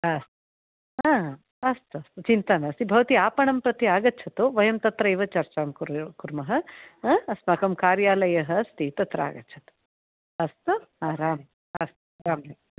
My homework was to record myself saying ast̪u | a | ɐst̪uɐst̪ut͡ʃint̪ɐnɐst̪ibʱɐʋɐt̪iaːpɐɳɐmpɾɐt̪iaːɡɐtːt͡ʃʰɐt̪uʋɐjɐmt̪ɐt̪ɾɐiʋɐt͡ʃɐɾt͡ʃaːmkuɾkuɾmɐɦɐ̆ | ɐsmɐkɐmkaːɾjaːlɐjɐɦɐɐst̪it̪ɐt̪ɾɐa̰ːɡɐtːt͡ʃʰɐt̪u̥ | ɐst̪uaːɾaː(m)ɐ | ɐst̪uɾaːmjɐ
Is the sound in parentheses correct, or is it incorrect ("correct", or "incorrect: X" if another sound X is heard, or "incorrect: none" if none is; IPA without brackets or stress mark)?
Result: correct